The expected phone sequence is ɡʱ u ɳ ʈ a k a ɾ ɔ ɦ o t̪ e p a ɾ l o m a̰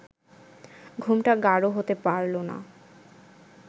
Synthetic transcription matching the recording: ɡʱ u m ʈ a ɡ a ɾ o ɦ o t̪ e p a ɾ l o n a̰